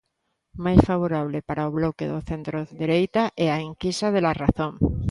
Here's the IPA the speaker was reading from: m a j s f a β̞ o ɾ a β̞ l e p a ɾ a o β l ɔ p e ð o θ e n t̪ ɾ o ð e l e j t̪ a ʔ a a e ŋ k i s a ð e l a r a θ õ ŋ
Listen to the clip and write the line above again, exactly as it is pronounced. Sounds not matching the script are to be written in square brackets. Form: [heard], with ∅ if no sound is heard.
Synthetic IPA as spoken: m a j s f a β̞ o ɾ a β̞ l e p a ɾ a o β l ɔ [k] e ð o θ e n t̪ ɾ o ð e [ɾ] e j t̪ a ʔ [ɛ] a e ŋ k i s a ð e l a r a θ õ ŋ